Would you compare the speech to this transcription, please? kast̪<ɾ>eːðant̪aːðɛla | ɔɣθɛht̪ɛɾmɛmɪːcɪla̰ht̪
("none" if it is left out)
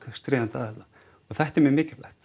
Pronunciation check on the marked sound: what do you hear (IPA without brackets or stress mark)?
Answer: ɾ